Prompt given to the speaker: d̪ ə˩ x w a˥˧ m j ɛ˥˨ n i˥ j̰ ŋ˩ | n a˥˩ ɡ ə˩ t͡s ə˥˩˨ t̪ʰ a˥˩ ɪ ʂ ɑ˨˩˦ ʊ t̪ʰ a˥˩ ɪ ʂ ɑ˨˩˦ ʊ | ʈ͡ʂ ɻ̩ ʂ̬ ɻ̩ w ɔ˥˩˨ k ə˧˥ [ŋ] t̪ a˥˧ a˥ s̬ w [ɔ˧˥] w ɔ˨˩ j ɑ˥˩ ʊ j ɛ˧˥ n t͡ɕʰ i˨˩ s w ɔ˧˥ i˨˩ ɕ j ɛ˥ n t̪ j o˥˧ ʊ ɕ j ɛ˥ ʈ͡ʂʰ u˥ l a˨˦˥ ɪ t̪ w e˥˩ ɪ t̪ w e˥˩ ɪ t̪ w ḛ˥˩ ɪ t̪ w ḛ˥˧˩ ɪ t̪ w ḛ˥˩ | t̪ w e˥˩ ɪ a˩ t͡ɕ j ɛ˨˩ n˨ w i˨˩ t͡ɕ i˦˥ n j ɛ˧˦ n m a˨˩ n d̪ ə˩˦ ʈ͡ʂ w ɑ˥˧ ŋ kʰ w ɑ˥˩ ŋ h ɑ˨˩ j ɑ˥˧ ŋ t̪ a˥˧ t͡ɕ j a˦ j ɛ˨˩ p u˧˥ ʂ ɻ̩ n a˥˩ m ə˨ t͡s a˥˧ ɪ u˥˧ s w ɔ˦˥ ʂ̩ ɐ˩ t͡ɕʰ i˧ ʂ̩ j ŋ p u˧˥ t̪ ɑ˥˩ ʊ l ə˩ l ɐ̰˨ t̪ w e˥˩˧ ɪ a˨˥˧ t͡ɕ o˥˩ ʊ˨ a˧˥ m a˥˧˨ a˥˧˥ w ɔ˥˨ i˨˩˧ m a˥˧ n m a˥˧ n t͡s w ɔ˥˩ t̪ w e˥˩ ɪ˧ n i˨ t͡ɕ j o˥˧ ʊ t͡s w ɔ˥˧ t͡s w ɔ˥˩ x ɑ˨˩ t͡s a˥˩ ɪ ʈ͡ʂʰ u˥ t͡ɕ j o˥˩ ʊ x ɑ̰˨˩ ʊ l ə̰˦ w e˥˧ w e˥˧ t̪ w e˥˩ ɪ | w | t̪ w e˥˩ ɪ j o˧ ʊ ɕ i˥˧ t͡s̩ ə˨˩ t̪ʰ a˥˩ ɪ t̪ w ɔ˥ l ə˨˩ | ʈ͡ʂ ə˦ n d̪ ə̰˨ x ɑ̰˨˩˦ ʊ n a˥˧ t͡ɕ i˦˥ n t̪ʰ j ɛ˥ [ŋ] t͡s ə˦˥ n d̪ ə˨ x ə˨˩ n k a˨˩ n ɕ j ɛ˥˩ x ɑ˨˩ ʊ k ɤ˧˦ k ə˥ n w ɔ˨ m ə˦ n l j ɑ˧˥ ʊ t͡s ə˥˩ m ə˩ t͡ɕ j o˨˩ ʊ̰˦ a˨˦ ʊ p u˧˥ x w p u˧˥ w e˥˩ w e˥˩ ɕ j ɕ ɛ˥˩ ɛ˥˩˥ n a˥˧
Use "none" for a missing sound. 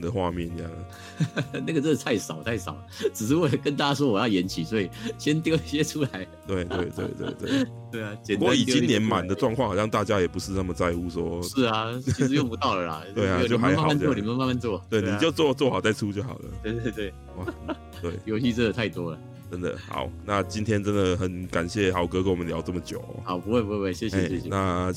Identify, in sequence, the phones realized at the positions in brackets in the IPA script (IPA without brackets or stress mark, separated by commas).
n, ɔ˥, n